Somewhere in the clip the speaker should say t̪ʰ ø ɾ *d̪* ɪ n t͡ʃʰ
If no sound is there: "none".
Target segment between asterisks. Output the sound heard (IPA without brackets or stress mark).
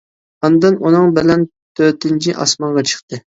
t̪